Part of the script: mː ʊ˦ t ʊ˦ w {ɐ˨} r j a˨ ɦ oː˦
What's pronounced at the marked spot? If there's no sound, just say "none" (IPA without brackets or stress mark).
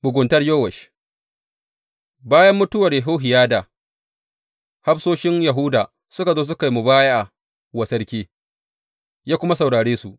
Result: ɐ˨